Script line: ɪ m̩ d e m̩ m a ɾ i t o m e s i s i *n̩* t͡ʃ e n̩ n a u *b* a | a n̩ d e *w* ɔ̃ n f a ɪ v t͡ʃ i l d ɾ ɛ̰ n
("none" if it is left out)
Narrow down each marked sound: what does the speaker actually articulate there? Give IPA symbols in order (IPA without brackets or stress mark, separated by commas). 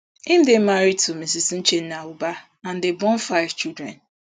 n̩, b, b